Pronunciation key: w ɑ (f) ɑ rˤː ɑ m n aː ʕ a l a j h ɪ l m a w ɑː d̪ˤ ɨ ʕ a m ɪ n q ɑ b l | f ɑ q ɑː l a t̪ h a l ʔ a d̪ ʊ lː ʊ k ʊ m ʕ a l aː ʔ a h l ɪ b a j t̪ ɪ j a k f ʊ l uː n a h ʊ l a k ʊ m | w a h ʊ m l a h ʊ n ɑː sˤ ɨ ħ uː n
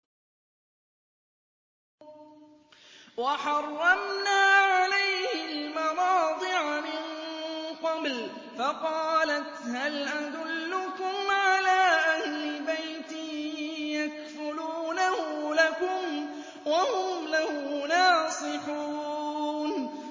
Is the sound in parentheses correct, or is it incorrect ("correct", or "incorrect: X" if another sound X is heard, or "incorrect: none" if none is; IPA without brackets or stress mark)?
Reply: incorrect: ħ